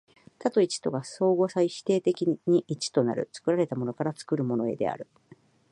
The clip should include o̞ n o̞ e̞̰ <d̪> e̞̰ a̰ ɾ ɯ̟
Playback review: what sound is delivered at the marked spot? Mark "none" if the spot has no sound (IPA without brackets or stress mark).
d̪